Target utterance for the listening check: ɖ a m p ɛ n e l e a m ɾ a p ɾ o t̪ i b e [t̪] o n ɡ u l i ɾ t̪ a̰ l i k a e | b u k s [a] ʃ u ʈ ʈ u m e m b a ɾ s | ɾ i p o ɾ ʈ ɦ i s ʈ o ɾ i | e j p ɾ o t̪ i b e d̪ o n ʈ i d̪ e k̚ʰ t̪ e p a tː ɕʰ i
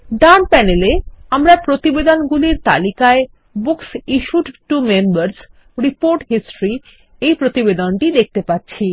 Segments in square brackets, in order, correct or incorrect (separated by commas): incorrect, incorrect